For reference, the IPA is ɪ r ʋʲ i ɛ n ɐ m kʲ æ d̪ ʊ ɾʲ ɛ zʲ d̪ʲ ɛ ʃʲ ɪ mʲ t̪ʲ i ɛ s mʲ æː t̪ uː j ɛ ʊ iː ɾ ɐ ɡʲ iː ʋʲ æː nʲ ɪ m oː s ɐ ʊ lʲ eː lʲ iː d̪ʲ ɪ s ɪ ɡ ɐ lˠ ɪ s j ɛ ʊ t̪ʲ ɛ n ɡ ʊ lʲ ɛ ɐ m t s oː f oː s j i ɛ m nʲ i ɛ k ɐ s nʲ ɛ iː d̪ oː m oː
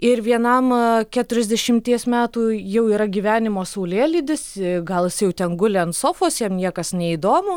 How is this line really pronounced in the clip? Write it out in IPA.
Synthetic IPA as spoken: ɪ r ʋʲ i ɛ n ɐ m kʲ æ t̪ ʊ ɾʲ ɛ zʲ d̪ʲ ɛ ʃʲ ɪ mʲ t̪ʲ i ɛ s mʲ æː t̪ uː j ɛ ʊ iː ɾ ɐ ɡʲ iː ʋʲ æː nʲ ɪ m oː s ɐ ʊ lʲ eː lʲ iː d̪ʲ ɪ s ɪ ɡ ɐ lˠ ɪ s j ɛ ʊ t̪ʲ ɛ n ɡ ʊ lʲ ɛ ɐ n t s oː f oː s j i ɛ m nʲ i ɛ k ɐ s nʲ ɛ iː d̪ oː m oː